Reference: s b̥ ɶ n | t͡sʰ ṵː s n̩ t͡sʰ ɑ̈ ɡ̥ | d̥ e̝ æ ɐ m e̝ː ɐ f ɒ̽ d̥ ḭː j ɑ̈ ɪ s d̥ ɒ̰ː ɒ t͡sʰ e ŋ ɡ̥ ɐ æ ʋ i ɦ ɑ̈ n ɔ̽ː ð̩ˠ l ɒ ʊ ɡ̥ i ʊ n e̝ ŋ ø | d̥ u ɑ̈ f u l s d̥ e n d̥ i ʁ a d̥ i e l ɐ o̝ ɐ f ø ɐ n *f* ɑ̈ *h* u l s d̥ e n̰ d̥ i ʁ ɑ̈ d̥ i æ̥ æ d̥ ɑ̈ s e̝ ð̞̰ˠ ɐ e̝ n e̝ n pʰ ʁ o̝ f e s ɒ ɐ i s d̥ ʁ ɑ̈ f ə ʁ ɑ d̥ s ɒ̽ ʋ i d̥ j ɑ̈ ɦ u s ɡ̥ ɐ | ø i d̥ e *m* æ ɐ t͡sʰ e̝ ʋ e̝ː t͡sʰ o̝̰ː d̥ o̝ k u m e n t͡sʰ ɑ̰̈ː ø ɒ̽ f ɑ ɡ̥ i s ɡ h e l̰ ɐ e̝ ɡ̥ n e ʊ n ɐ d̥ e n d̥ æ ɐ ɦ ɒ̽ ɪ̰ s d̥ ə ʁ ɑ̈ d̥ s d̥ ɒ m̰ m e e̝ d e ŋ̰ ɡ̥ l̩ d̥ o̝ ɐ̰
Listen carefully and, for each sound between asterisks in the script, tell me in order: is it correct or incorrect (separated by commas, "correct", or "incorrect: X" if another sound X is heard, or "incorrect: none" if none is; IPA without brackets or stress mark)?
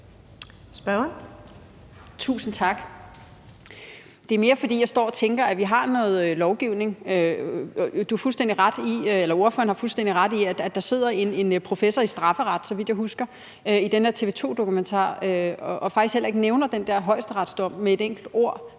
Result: incorrect: h, incorrect: f, incorrect: n